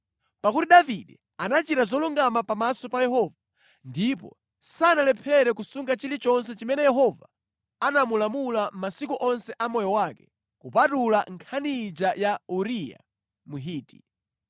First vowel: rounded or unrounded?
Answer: unrounded